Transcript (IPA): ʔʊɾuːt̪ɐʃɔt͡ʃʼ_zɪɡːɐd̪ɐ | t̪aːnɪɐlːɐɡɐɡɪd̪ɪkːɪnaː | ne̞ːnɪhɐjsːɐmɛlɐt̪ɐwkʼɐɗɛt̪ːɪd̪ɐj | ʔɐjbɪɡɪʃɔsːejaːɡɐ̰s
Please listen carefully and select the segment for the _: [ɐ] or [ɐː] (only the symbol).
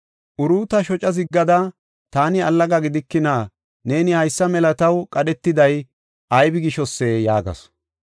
ɐ